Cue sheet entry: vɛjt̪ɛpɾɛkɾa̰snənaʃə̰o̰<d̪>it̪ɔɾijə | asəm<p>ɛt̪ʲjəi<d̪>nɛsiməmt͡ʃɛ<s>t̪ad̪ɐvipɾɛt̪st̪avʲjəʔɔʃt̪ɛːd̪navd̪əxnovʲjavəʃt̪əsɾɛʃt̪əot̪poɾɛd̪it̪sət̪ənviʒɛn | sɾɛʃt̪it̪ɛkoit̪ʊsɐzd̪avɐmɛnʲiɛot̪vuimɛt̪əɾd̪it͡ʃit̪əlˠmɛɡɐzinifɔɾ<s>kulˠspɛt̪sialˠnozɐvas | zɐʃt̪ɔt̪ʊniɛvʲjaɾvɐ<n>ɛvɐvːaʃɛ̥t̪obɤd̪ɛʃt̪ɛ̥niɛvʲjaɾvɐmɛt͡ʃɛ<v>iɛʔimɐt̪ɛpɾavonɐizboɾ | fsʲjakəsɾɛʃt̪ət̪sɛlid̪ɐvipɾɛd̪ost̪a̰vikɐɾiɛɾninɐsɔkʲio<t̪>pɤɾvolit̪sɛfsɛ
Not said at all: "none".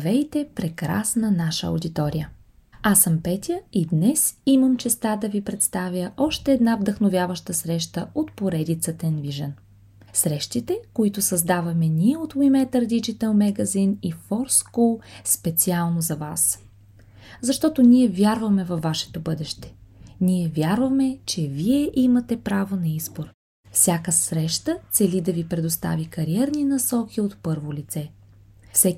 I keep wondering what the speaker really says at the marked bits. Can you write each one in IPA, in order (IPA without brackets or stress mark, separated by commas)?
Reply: d̪, p, d̪, s, s, m, v, t̪